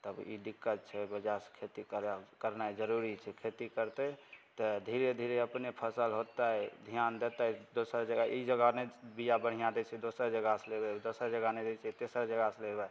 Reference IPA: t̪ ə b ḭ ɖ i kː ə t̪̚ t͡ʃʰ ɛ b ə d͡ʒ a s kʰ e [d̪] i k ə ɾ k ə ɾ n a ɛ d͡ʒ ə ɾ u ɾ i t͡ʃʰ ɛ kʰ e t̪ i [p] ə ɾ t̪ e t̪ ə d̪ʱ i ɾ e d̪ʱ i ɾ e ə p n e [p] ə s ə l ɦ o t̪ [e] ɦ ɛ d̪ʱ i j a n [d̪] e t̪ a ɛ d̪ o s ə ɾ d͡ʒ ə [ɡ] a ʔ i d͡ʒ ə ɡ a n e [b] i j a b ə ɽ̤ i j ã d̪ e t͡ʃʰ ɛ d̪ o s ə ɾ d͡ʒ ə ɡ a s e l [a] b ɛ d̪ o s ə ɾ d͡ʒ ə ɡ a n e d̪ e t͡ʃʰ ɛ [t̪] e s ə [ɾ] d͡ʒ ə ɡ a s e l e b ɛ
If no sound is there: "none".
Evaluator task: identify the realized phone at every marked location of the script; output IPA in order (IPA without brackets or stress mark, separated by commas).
t̪, k, pʰ, a, d̪, ɡ, b, e, t̪, ɾ